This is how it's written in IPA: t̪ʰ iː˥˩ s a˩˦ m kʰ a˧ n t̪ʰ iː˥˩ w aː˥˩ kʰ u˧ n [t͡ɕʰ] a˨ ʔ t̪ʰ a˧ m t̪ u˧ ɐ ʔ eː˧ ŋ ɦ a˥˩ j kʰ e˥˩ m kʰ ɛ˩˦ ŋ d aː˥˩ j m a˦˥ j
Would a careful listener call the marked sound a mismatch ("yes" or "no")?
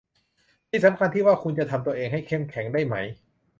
yes